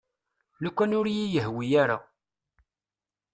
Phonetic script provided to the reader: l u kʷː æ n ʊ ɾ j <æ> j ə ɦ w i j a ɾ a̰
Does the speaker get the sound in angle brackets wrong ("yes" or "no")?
yes